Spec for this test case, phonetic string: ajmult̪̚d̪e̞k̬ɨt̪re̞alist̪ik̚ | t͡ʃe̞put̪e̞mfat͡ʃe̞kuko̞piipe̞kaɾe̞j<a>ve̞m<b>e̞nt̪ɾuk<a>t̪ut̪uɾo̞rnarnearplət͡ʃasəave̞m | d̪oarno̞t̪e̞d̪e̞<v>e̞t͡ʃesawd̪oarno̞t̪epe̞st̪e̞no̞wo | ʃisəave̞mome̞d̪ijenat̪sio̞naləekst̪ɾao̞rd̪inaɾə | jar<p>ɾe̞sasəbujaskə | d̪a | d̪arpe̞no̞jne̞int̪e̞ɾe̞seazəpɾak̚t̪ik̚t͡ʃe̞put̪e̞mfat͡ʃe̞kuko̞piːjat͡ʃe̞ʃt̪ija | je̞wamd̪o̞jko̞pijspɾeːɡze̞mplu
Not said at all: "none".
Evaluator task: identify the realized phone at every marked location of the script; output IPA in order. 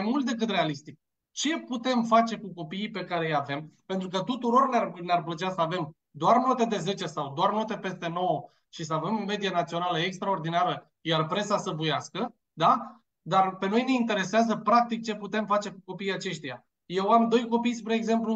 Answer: a, p, ə, z, p

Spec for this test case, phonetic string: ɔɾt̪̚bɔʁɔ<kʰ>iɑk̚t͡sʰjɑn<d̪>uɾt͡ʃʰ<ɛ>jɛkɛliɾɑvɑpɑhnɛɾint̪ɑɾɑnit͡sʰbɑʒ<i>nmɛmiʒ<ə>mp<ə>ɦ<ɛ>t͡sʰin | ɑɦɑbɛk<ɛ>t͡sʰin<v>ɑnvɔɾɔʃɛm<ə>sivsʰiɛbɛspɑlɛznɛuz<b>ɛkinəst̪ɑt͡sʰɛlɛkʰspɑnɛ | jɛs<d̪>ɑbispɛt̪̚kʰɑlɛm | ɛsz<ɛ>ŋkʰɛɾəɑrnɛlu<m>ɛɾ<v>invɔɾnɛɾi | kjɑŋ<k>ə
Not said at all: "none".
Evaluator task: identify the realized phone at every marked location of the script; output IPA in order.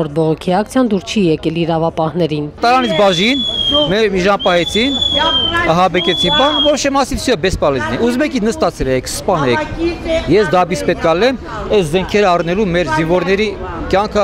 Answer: kʰ, d̪, i, i, ɑ, ɑ, ɛ, ɛ, b, ɑ, m, d̪, ɛ, m, z, kʰ

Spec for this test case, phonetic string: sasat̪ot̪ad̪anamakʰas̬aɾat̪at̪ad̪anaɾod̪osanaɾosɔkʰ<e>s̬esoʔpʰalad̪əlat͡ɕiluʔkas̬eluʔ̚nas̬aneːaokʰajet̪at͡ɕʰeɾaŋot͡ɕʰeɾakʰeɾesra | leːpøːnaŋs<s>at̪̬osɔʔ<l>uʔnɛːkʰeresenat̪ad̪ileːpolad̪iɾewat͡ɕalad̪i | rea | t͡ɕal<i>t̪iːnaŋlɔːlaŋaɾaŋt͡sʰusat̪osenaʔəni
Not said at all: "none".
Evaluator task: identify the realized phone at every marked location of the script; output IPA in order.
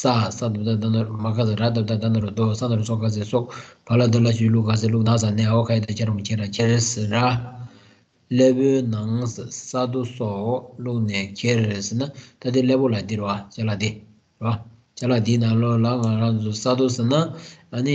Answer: a, s, l, a

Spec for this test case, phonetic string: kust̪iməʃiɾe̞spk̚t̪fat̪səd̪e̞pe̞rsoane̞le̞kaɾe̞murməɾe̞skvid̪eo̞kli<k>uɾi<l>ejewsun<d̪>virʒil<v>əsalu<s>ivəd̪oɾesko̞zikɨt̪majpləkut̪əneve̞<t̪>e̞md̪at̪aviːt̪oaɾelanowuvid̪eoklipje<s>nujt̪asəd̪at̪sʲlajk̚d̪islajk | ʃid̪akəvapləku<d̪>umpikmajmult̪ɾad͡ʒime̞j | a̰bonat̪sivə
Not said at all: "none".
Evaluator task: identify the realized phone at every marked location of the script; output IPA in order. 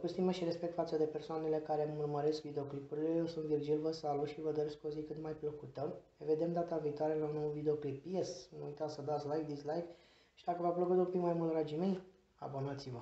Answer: p, l, t̪, v, ʃ, d̪, s, t̪

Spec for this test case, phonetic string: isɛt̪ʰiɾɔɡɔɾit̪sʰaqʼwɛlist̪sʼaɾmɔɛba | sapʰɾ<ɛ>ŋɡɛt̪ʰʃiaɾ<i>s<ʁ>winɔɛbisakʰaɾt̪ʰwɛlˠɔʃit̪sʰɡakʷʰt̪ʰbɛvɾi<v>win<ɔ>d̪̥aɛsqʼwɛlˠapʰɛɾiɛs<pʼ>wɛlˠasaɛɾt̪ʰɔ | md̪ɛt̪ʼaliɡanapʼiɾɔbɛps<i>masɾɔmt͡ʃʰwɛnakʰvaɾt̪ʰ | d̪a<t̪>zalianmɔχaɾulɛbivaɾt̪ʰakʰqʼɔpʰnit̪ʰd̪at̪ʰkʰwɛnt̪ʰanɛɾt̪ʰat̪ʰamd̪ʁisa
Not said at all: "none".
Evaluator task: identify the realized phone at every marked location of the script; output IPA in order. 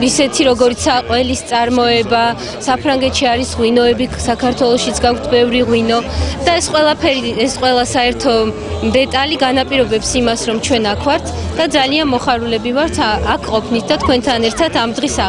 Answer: a, i, ʁ, ʁ, ɔ, qʼ, i, d̪

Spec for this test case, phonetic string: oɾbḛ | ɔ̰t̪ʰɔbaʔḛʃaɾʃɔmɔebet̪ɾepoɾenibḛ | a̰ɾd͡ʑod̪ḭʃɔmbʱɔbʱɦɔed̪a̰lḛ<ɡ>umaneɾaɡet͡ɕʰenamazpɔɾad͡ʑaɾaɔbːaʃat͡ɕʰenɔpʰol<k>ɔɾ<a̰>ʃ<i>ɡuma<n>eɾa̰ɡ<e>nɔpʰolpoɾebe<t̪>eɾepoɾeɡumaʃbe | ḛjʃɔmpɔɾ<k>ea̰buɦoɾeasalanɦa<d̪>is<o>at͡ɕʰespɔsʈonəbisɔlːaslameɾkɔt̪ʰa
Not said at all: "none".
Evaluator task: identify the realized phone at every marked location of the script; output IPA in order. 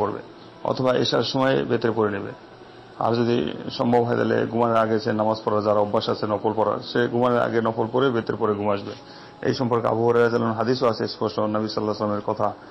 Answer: ɡ, p, a̰, e, n, e, t̪, k, d̪, o

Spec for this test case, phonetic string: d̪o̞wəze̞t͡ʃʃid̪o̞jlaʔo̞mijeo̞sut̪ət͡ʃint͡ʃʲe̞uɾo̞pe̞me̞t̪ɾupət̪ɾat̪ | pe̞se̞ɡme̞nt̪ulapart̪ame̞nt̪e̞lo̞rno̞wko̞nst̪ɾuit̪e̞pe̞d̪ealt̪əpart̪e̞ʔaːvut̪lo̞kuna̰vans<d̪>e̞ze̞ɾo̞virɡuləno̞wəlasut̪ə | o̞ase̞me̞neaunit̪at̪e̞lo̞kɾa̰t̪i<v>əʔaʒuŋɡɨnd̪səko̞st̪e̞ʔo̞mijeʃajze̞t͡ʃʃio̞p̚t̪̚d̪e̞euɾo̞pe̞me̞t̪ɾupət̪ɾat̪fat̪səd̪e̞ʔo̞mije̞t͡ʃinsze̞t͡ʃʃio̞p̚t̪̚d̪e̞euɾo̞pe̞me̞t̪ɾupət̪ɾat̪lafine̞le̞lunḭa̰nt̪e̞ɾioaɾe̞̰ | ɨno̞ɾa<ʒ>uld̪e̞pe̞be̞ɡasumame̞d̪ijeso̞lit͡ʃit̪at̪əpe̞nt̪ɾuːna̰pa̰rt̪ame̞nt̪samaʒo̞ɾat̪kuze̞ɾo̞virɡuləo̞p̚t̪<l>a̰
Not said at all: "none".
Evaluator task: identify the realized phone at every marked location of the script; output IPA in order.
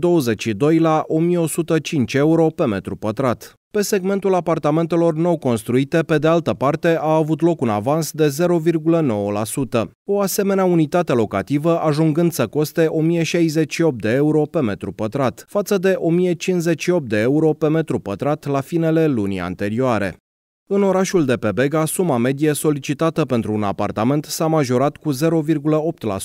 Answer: d̪, v, ʃ, l

